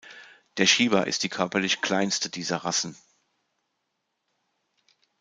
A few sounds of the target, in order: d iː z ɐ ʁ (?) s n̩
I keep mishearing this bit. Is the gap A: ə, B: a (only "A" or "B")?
B